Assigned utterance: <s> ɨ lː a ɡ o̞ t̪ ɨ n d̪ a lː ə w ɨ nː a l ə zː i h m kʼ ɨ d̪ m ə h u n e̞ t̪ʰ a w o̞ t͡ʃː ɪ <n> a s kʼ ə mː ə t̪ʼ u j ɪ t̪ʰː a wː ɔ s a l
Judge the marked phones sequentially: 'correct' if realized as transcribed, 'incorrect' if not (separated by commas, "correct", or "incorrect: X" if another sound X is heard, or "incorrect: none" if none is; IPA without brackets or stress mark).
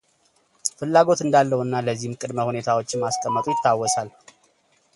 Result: incorrect: f, incorrect: m